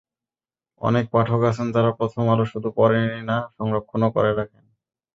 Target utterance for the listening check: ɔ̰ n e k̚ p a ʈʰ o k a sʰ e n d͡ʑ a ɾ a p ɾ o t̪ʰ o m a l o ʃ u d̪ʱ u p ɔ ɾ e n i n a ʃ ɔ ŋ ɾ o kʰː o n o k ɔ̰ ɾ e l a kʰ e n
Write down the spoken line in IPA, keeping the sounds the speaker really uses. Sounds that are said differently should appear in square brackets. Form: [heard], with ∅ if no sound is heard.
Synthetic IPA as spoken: ɔ̰ n e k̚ p a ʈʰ o k a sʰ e n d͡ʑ a ɾ a p ɾ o t̪ʰ o m a l o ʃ u d̪ʱ u p ɔ ɾ e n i n a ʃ ɔ ŋ ɾ o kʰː o n o k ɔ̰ ɾ e [ɾ] a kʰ e n